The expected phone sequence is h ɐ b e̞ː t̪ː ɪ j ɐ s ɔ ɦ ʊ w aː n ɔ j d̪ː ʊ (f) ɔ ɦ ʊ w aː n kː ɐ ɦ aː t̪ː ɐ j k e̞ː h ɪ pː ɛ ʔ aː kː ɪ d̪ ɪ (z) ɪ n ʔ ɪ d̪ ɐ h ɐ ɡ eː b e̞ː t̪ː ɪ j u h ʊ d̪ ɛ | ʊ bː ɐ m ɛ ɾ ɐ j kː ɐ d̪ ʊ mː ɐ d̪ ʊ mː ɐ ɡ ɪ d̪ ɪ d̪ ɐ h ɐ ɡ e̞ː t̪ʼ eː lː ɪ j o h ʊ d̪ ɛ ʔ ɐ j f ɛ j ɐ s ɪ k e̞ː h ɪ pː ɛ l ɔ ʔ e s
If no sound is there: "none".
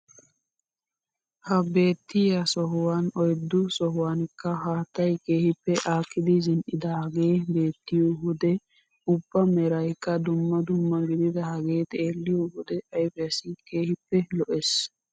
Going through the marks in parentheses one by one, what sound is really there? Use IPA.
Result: s, z

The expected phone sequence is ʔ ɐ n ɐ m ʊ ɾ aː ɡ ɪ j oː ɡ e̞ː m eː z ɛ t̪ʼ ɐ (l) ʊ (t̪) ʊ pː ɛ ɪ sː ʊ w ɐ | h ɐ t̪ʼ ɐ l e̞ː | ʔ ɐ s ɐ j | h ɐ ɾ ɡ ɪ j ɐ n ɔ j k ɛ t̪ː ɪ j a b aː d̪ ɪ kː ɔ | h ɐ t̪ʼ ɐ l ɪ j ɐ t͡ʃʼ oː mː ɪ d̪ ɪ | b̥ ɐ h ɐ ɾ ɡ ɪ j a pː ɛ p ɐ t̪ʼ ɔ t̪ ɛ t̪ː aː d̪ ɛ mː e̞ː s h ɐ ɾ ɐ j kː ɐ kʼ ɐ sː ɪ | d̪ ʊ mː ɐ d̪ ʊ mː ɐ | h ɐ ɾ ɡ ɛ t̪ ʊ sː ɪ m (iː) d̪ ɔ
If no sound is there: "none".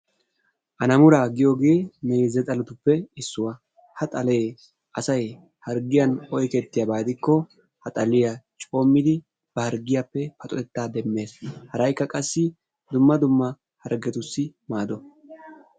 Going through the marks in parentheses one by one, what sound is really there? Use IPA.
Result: l, t̪, aː

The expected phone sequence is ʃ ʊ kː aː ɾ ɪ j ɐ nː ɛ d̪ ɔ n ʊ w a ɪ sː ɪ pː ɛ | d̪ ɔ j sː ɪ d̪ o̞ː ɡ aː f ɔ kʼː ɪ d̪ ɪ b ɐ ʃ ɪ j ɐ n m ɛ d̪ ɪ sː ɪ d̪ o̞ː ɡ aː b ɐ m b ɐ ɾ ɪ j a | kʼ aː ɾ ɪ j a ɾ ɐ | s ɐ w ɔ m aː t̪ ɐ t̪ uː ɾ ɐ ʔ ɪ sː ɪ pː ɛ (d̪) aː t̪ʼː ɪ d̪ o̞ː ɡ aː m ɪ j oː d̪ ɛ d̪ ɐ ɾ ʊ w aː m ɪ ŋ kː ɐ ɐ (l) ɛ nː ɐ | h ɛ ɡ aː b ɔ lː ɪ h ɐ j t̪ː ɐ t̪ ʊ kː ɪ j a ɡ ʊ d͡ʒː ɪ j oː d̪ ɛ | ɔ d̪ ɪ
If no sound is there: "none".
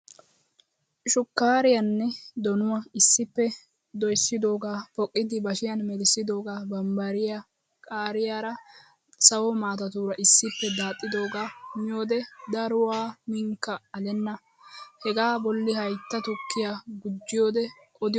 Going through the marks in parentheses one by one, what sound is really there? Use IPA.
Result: d̪, l

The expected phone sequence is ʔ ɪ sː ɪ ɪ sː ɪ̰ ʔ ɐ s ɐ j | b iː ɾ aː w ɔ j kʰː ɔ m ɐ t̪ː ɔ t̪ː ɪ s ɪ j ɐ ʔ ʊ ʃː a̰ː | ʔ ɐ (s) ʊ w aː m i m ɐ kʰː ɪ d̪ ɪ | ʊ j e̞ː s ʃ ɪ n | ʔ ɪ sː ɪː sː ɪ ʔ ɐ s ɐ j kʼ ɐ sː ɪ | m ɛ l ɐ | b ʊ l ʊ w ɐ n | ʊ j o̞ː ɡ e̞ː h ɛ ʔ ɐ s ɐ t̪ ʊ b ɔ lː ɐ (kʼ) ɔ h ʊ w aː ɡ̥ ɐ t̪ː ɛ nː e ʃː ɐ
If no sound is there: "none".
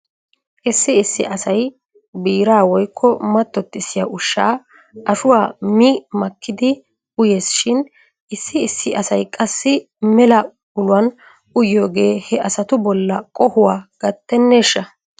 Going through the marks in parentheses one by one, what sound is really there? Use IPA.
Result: ʃ, kʼ

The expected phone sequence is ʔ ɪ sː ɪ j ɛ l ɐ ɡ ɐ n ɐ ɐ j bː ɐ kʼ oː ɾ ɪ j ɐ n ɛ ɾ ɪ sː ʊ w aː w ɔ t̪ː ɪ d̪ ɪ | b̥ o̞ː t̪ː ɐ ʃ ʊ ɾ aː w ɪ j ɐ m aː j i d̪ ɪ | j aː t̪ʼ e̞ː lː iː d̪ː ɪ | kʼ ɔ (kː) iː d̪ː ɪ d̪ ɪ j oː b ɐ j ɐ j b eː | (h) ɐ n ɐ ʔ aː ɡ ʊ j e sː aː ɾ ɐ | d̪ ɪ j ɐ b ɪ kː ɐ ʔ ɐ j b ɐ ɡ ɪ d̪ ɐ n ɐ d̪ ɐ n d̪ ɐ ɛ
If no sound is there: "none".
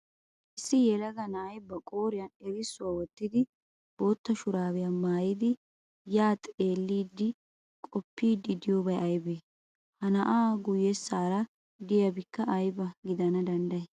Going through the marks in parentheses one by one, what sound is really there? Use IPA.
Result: pː, h

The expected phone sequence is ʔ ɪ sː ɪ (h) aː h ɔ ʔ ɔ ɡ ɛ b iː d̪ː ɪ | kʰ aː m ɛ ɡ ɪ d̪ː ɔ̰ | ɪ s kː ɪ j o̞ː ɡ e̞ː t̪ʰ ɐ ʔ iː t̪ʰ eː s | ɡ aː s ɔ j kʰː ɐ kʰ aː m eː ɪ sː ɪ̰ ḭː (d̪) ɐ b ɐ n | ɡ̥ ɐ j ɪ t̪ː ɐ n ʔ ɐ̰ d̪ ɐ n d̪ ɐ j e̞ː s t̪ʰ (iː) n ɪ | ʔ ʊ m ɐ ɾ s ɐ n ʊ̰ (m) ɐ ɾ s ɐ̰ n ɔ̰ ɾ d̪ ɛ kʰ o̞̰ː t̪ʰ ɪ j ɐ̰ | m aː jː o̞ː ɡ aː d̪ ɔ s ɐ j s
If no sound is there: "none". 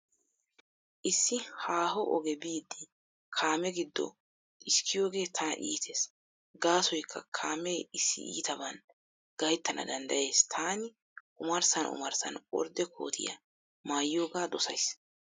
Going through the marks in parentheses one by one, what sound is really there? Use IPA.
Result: h, t̪, aː, m

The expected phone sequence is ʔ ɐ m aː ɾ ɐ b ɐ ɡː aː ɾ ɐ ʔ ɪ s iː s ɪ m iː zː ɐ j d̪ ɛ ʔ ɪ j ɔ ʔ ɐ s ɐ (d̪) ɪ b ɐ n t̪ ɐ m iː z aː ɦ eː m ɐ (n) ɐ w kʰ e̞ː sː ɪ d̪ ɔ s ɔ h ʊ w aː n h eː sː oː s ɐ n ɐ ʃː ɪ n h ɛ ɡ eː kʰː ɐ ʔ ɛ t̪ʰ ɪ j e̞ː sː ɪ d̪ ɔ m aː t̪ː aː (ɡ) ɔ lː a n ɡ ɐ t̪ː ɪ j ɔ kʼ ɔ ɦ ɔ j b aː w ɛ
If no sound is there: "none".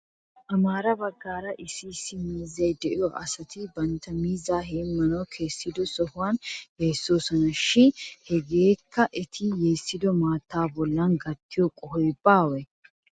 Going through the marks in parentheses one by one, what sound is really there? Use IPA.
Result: t̪, n, b

